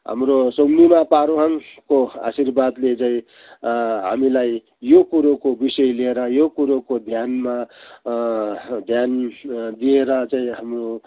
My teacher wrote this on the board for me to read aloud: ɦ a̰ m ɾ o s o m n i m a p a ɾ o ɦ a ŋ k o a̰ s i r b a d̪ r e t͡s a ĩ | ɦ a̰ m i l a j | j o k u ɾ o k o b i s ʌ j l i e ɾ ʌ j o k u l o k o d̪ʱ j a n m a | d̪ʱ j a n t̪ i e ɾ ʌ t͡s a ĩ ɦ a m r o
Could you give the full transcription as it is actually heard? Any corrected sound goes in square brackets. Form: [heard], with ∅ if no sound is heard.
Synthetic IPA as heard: ɦ a̰ m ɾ o s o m n i m a p a ɾ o ɦ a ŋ k o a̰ s i r b a d̪ [l] e t͡s a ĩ | ɦ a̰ m i l a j | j o k u ɾ o k o b i s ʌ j l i e ɾ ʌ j o k u [ɾ] o k o d̪ʱ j a n m a | d̪ʱ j a n [d̪] i e ɾ ʌ t͡s a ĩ ɦ a m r o